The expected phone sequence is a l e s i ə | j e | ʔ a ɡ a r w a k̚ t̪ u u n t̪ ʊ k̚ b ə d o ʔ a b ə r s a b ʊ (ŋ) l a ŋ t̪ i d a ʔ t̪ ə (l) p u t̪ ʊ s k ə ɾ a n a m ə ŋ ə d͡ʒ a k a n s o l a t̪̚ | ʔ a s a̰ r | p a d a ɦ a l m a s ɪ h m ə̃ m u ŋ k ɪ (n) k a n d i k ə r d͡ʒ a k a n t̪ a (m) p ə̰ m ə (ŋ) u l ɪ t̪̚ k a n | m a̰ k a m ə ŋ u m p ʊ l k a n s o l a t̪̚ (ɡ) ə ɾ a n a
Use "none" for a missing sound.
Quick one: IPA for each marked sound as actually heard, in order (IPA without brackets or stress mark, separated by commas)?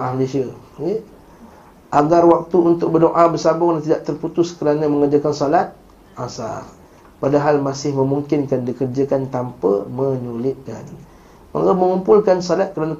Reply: ŋ, r, n, m, ɲ, k